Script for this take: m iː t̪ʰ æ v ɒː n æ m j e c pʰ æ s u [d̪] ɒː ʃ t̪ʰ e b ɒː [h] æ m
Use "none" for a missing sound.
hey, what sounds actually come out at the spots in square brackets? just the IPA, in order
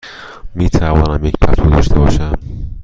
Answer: d̪, ʃ

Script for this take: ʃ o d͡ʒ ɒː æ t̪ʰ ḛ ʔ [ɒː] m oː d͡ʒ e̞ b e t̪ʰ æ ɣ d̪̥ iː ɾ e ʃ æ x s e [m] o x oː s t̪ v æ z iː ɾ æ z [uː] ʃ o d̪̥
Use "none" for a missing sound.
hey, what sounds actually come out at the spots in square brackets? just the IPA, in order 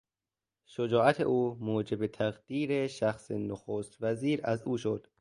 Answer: uː, n, uː

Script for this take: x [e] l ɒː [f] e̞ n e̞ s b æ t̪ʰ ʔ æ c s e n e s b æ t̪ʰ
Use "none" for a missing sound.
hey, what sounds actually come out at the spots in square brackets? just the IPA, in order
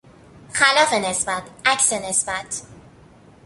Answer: æ, f

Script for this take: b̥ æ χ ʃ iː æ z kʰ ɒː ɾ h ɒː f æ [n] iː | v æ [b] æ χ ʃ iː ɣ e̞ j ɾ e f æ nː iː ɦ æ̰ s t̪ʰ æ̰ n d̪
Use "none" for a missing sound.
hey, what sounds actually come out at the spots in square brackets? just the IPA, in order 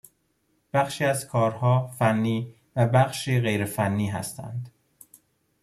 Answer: nː, b

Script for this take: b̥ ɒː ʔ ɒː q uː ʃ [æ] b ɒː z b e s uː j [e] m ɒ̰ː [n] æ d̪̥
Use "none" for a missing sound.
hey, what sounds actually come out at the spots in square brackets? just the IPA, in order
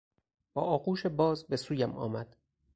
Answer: e, æ, m

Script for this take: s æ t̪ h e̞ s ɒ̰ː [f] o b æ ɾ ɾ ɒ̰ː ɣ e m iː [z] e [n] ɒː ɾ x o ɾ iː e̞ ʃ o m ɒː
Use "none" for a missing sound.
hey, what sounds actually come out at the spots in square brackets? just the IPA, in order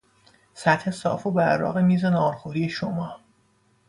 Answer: f, z, n

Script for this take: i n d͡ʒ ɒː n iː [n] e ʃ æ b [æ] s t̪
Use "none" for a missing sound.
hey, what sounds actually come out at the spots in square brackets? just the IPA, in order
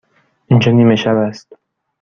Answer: m, æ

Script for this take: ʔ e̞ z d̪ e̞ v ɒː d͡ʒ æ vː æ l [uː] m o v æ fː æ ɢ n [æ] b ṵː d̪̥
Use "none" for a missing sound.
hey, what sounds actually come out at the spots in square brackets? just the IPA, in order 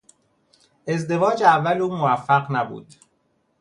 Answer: uː, æ

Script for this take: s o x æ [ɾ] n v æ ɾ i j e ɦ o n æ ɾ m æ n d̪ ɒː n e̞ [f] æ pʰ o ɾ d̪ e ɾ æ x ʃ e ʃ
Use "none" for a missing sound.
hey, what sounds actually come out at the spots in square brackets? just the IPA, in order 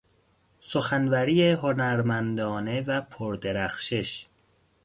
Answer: none, v

